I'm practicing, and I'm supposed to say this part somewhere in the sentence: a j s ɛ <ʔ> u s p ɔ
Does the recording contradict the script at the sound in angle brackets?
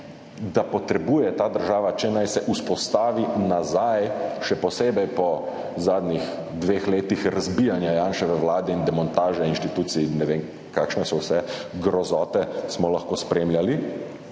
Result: no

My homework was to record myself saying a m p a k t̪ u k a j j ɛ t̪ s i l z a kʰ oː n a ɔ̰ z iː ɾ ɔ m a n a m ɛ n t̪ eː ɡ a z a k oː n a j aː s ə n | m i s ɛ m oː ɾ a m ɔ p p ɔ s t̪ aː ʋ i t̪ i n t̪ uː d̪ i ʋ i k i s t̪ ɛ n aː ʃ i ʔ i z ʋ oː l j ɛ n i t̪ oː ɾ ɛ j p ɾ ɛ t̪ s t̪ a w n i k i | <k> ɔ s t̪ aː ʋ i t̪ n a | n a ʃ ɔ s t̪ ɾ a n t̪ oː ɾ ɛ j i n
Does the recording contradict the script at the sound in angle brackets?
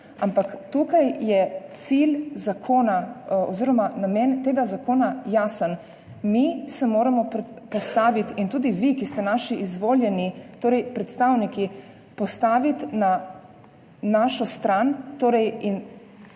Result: yes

